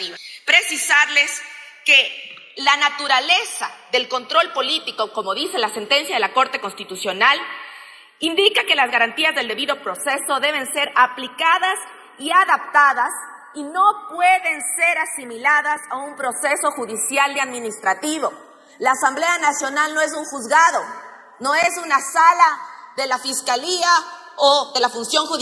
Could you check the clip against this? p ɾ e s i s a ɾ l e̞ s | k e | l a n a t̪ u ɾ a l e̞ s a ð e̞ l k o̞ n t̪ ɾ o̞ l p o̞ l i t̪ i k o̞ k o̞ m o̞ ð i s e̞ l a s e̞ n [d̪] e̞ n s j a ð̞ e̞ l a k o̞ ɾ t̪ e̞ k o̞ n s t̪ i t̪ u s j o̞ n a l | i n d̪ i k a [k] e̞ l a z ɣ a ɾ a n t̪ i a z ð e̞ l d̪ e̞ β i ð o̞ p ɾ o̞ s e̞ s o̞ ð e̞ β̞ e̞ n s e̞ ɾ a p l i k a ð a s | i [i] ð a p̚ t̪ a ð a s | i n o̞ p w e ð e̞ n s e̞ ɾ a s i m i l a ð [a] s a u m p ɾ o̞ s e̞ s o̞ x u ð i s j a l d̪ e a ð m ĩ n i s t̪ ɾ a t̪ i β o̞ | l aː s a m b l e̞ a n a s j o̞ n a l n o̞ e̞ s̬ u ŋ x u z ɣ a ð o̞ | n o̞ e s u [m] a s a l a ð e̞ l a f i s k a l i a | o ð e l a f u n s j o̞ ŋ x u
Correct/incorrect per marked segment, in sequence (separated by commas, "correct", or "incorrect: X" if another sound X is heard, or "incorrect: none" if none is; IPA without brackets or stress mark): incorrect: t̪, correct, incorrect: a, correct, incorrect: n